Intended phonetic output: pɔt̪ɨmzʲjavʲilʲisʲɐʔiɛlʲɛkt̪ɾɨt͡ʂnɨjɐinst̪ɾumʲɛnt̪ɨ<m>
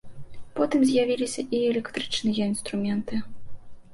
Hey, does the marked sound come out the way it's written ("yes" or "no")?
no